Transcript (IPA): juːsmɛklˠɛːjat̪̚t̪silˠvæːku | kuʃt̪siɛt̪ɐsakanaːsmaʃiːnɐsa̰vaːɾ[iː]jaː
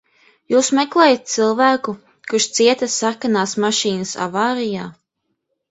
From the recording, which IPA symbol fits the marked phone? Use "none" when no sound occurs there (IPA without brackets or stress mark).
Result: i